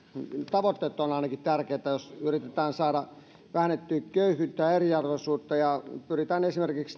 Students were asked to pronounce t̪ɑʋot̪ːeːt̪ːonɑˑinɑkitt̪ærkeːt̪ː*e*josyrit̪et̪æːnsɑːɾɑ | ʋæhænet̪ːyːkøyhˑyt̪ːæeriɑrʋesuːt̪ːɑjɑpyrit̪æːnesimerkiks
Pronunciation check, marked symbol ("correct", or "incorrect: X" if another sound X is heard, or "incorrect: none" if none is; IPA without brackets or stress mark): incorrect: æ